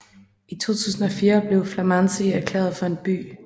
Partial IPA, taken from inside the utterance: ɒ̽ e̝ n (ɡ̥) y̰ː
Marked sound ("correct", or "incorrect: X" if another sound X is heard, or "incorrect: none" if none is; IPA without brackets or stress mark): incorrect: b̥